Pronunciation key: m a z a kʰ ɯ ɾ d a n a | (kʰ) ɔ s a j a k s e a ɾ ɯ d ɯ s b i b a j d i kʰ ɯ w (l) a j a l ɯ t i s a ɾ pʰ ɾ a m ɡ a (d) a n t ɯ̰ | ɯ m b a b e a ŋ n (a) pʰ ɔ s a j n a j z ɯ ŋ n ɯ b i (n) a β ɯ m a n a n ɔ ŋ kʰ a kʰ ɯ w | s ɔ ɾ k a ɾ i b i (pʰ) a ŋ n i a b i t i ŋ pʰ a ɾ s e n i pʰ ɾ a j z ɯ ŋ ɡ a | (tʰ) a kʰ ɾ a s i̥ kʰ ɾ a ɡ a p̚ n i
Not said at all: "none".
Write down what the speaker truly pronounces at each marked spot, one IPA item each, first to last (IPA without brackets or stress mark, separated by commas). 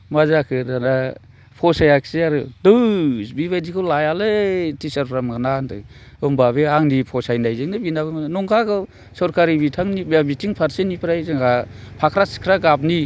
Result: pʰ, l, n, i, n, tʰ, pʰ